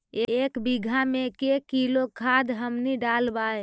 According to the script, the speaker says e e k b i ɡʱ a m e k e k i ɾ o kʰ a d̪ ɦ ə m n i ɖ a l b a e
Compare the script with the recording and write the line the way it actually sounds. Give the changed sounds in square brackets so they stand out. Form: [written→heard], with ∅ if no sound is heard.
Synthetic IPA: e e k b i ɡʱ a m e k e k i [ɾ→l] o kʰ a d̪ ɦ ə m n i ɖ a l b a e